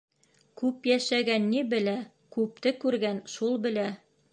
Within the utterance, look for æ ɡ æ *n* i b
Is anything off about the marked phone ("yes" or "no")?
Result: yes